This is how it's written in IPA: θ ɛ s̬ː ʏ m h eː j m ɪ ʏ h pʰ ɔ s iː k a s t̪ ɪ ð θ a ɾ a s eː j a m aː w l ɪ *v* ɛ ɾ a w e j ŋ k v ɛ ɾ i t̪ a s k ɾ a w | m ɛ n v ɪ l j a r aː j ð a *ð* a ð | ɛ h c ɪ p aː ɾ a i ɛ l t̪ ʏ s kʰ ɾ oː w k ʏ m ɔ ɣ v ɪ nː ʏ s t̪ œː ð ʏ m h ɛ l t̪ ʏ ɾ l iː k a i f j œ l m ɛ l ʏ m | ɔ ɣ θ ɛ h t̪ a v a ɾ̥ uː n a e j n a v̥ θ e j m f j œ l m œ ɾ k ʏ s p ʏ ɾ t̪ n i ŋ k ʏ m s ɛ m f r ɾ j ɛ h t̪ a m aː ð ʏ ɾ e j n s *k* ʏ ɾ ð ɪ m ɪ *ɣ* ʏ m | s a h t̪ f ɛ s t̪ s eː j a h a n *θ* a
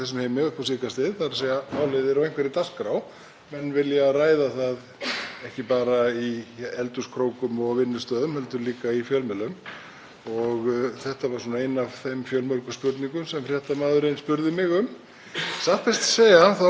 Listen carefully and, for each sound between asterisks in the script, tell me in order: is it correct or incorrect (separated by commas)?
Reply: incorrect, incorrect, incorrect, correct, correct